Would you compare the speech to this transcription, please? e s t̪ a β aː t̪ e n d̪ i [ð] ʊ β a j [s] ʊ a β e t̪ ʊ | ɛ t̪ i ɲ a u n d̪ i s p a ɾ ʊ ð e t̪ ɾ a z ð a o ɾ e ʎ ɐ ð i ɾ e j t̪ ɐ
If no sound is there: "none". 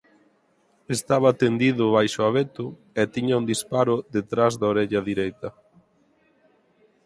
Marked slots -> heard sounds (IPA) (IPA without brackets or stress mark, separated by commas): ð, ʃ